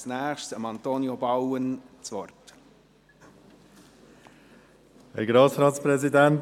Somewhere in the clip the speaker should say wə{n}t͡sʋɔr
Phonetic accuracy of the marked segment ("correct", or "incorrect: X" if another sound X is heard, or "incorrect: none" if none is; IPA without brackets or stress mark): correct